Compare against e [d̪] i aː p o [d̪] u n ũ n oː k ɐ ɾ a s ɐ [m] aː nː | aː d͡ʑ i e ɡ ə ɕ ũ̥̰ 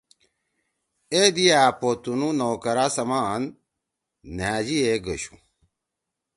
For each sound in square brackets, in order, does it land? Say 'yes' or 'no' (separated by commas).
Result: yes, no, yes